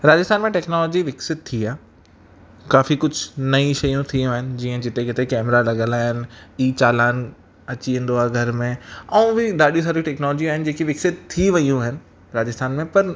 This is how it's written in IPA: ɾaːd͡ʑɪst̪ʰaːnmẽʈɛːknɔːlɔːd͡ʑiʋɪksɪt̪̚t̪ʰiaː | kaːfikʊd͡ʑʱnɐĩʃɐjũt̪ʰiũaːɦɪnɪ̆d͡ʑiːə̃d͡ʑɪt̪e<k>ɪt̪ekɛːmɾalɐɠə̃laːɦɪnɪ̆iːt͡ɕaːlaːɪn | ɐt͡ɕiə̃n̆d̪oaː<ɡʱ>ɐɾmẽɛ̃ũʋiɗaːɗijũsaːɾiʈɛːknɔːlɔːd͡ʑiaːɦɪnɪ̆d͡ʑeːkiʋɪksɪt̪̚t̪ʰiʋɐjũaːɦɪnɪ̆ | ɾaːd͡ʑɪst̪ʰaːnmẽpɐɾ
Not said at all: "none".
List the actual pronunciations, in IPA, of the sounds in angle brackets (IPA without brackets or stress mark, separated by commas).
k, ɡʱ